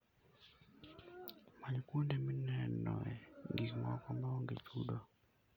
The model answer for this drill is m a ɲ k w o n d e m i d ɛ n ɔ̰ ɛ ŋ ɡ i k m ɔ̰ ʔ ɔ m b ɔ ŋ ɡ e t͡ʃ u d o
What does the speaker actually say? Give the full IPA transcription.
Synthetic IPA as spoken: m a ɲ k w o n d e m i n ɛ n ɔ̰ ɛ ŋ ɡ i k m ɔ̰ k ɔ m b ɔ ŋ ɡ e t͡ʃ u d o